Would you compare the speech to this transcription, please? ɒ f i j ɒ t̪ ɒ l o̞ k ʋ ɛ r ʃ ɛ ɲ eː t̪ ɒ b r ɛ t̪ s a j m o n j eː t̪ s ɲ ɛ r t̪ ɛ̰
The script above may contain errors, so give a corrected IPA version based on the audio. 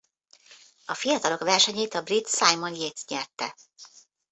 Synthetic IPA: ɒ f i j ɒ t̪ ɒ l o̞ k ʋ ɛ r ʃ ɛ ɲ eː t̪ ɒ b r i t̪ s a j m o n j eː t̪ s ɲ ɛ r t̪ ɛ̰

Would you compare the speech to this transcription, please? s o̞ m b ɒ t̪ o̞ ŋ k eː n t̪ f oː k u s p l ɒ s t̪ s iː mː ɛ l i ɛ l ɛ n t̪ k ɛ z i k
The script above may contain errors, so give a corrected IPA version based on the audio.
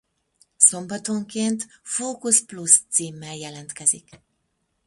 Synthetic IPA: s o̞ m b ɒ t̪ o̞ ŋ k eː n t̪ f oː k u s p l u s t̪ s iː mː ɛ l j ɛ l ɛ n t̪ k ɛ z i k

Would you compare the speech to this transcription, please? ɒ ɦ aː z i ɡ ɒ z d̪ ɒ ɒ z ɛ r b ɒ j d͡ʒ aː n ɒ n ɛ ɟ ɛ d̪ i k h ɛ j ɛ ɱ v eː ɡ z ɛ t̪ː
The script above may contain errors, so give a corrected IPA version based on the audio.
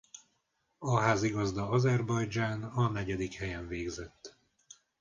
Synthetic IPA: ɒ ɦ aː z i ɡ ɒ z d̪ ɒ ɒ z ɛ r b ɒ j d͡ʒ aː n ɒ n ɛ ɟ ɛ d̪ i k h ɛ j ɛ ɱ v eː ɡ z ɛ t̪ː

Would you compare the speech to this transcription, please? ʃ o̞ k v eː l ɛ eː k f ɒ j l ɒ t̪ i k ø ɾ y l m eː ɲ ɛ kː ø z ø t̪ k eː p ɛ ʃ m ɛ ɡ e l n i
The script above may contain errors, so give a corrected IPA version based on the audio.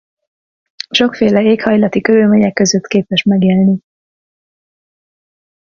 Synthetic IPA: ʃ o̞ k f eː l ɛ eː k h ɒ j l ɒ t̪ i k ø ɾ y l m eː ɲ ɛ kː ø z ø t̪ k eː p ɛ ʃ m ɛ ɡ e l n i

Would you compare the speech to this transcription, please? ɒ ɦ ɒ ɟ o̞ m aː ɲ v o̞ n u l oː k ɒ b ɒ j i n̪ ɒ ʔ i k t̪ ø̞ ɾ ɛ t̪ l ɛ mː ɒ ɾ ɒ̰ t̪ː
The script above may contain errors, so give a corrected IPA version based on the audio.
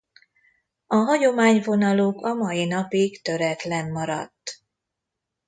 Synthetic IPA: ɒ ɦ ɒ ɟ o̞ m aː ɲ v o̞ n ɒ l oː k ɒ m ɒ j i n̪ ɒ p i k t̪ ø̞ ɾ ɛ t̪ l ɛ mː ɒ ɾ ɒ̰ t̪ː

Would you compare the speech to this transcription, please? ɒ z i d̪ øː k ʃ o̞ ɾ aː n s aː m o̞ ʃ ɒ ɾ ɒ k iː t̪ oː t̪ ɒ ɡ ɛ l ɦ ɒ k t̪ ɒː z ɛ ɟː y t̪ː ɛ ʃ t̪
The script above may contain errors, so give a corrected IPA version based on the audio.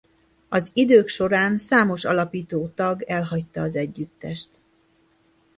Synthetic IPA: ɒ z i d̪ øː k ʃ o̞ ɾ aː n s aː m o̞ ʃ ɒ l ɒ p iː t̪ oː t̪ ɒ ɡ ɛ l ɦ ɒ c t̪ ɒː z ɛ ɟː y t̪ː ɛ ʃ t̪

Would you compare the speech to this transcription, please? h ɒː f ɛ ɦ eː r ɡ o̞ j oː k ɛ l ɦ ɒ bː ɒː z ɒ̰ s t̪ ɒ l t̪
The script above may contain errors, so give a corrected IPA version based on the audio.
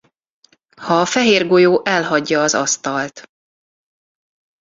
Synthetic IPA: h ɒː f ɛ ɦ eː r ɡ o̞ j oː ʔ ɛ l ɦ ɒ ɟː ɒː z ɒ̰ s t̪ ɒ l t̪

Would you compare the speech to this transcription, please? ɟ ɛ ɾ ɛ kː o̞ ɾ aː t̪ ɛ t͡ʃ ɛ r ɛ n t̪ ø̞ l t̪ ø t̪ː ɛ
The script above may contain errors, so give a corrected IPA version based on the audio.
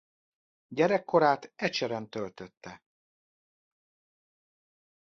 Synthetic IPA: ɟ ɛ ɾ ɛ kː o̞ ɾ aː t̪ ɛ t͡ʃ ɛ ɾ ɛ n t̪ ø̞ l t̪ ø t̪ː ɛ

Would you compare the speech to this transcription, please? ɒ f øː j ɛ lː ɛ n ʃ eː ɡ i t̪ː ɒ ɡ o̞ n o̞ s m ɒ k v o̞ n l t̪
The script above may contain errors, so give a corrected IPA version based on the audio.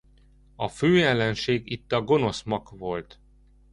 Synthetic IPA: ɒ f øː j ɛ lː ɛ n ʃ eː ɡ i t̪ː ɒ ɡ o̞ n o̞ s m ɒ k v o̞ l t̪

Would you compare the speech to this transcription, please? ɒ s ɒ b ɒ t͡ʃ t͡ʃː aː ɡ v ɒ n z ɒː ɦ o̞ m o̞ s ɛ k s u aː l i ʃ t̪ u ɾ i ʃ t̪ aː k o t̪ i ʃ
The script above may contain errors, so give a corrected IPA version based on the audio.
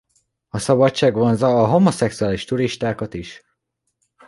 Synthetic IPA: ɒ s ɒ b ɒ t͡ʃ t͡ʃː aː ɡ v o n z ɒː ɦ o̞ m o̞ s ɛ k s u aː l i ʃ t̪ u ɾ i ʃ t̪ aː k ɒ t̪ i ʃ

